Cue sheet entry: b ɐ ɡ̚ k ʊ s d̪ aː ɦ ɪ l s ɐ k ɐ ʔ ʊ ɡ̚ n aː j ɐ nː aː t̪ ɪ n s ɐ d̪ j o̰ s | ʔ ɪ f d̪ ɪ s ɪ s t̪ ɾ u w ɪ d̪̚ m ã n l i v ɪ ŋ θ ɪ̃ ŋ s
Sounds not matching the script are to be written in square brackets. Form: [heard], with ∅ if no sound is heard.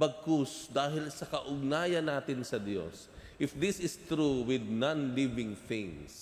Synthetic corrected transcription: b ɐ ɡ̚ k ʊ s d̪ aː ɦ ɪ l s ɐ k ɐ ʔ ʊ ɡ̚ n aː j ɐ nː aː t̪ ɪ n s ɐ d̪ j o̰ s | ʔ ɪ f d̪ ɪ s ɪ s t̪ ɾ u w ɪ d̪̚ [n] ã n l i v ɪ ŋ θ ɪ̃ ŋ s